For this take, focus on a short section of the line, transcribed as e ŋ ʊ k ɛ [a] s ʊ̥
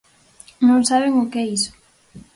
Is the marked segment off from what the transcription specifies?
yes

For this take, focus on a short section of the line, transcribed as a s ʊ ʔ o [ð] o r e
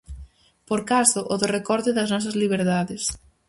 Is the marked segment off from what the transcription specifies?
no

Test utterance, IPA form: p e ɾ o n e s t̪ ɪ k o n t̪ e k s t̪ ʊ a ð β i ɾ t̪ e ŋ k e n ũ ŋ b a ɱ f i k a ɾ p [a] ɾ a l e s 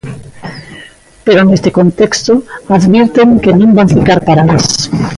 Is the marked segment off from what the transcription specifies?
no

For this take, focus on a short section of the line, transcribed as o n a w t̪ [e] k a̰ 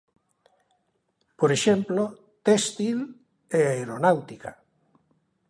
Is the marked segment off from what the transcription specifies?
yes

